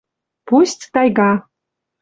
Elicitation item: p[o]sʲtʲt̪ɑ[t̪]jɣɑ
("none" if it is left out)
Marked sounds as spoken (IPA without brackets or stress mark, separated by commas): u, none